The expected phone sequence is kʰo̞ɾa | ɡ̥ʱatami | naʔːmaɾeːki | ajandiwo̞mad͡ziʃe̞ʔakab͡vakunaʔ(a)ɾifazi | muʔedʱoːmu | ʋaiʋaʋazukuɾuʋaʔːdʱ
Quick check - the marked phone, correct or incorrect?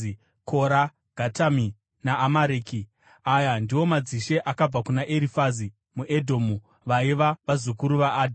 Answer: incorrect